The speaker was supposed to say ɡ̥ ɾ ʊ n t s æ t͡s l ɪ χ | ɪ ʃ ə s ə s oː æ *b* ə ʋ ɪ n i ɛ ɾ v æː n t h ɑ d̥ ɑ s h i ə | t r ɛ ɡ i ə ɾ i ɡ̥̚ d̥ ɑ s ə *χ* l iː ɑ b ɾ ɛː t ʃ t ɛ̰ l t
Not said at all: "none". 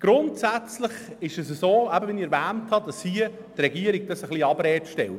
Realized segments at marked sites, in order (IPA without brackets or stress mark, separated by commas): b, χ